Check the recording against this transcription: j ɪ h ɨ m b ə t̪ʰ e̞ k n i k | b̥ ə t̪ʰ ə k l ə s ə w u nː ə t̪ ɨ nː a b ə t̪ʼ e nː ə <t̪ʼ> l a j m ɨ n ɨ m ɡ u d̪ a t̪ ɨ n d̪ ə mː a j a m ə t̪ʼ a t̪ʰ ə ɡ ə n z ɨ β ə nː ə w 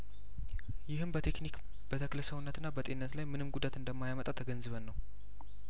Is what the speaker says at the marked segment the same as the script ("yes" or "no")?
no